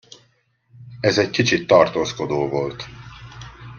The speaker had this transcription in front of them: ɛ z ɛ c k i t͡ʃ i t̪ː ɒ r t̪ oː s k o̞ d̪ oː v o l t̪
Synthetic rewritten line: ɛ z ɛ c k i t͡ʃ i t̪ː ɒ r t̪ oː s k o̞ d̪ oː v o l t̪